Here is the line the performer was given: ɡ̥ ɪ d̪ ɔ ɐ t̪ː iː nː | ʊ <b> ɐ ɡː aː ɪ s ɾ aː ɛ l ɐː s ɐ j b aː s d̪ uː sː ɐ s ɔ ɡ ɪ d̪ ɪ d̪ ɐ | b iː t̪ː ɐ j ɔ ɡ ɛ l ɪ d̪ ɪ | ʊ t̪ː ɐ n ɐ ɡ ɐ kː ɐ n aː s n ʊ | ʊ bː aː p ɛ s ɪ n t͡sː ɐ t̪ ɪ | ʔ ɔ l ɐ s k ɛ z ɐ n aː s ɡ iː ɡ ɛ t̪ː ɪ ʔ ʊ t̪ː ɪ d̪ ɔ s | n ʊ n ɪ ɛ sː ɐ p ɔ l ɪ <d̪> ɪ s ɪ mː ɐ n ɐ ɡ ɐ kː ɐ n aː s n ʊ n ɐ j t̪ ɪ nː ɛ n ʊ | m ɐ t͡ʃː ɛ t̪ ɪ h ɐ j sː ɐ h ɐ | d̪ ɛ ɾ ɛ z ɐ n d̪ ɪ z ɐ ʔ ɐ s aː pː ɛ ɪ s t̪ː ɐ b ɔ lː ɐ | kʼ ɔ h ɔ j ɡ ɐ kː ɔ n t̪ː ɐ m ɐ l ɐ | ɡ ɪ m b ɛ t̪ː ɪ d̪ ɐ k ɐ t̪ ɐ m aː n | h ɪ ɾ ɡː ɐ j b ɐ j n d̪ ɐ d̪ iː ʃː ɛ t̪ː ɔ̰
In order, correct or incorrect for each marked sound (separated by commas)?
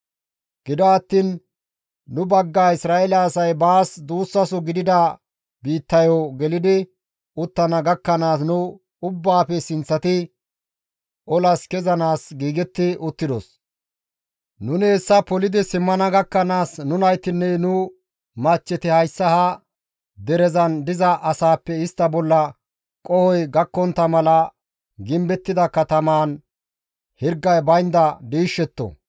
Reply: correct, correct